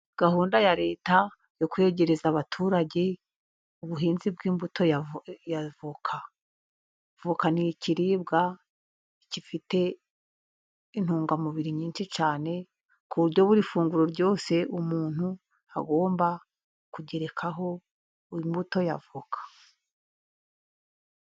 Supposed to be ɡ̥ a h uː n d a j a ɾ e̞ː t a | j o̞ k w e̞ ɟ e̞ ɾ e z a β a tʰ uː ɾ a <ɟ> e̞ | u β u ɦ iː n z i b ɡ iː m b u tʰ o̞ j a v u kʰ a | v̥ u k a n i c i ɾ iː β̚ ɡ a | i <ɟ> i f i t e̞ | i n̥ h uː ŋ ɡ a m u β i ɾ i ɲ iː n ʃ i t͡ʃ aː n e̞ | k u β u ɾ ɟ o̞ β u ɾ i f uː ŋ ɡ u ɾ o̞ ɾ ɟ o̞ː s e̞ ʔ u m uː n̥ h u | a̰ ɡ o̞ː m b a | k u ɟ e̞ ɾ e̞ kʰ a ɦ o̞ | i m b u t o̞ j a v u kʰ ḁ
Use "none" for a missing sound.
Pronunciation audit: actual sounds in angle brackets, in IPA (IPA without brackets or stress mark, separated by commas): ɟ, c